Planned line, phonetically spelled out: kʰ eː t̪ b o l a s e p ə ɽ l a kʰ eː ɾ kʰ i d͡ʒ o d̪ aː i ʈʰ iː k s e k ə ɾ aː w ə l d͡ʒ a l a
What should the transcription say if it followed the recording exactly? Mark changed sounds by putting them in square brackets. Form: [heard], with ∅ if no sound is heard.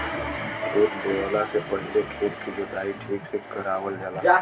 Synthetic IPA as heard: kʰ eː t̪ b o l a s e p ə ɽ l [e] kʰ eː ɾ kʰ i d͡ʒ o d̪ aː i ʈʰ iː k s e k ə ɾ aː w ə l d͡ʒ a l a